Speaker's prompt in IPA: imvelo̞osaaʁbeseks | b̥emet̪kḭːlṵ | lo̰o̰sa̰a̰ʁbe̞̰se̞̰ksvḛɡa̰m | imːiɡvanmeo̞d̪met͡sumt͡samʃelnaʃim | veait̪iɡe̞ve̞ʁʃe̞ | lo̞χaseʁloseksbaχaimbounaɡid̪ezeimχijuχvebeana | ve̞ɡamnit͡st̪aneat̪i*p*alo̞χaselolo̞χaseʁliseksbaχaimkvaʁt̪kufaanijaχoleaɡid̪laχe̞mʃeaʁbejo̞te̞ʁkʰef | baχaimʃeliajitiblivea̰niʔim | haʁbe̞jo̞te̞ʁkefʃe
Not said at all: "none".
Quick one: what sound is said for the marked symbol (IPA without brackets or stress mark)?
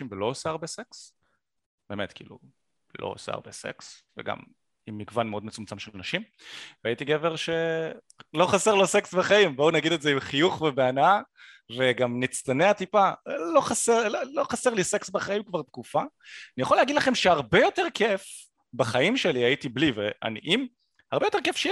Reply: p